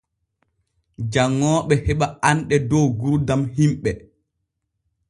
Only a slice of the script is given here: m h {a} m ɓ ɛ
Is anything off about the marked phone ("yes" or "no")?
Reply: yes